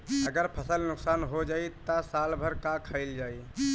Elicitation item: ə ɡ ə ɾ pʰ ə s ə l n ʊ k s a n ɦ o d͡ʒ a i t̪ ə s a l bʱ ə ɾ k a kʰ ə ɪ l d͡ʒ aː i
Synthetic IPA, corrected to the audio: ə ɡ ə ɾ pʰ ə s ə l n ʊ k s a n ɦ o d͡ʒ a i t̪ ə s a l bʱ ə ɾ k a kʰ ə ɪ l d͡ʒ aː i